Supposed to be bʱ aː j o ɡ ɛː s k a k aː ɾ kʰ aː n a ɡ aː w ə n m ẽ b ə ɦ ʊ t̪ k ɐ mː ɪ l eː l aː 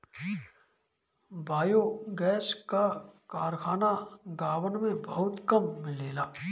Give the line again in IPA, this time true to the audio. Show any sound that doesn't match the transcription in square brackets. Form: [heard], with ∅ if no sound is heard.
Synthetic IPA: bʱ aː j o ɡ ɛː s k a k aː ɾ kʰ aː n a ɡ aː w ə n m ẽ b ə ɦ ʊ t̪ k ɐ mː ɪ l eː l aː